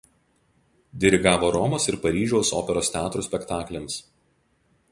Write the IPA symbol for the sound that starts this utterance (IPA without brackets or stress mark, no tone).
d̪ʲ